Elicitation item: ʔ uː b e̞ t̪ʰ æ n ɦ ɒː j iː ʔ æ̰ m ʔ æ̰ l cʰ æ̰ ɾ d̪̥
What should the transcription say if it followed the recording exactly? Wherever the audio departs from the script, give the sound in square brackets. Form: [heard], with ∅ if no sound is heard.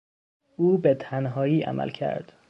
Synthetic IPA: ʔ uː b e̞ t̪ʰ æ n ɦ ɒː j iː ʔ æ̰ m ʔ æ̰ l cʰ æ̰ ɾ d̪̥